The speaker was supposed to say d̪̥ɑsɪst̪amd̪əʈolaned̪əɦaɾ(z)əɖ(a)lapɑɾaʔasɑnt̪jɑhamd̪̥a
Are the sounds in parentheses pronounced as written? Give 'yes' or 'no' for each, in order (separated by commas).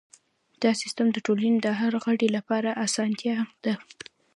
no, no